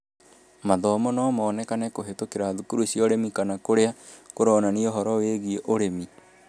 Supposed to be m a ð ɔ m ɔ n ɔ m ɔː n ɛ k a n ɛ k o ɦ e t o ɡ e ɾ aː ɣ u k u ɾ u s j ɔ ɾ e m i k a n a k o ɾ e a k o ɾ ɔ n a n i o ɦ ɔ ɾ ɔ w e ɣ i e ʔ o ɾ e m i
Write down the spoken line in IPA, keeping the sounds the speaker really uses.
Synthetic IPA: m a ð ɔ m ɔ n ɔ m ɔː n ɛ k a n ɛ k o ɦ e t o k e ɾ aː ð u k u ɾ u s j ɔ ɾ e m i k a n a k o ɾ e a k o ɾ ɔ n a n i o ɦ ɔ ɾ ɔ w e ɣ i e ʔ o ɾ e m i

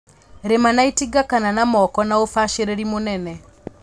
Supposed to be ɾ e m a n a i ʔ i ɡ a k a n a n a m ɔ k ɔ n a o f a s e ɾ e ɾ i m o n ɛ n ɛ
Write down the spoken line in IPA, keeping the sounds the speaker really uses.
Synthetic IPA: ɾ e m a n a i t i ɡ a k a n a n a m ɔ k ɔ n a o f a ʃ e ɾ e ɾ i m o n ɛ n ɛ

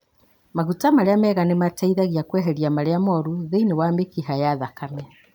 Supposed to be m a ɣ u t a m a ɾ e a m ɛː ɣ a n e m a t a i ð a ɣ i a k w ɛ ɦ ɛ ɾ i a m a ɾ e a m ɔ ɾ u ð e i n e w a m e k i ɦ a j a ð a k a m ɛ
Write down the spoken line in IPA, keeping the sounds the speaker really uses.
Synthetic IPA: m a ɣ u t a m a ɾ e a m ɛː ɣ a n e m a t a i ð a ɣ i a k w ɛ ɦ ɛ ɾ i a m a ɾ e a m ɔ ɾ u ð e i n e w a m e k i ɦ a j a ð a k a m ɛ

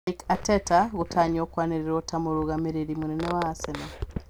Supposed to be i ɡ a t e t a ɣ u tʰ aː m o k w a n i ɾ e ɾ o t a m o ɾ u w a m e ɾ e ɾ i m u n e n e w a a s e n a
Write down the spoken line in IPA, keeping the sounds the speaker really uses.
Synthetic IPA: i k a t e t a ɣ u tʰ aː ɲ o k w a n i ɾ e ɾ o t a m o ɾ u ɣ a m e ɾ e ɾ i m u n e n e w a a s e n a

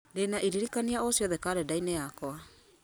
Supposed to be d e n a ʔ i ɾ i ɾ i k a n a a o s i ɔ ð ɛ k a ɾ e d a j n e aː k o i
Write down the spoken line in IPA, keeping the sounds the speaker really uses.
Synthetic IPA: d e n a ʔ i ɾ i ɾ i k a n i a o s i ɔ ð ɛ k a ɾ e d a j n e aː k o a

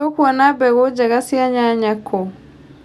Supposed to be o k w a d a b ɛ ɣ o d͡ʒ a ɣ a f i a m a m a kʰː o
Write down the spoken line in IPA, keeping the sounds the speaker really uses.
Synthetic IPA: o k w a n a b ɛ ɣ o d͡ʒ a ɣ a s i a ɲ a ɲ a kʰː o

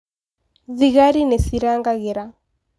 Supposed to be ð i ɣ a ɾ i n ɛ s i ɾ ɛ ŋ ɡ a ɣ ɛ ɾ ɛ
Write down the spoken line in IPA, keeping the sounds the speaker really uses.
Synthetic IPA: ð i ɣ a ɾ i n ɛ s i ɾ a ŋ ɡ a ɣ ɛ ɾ a

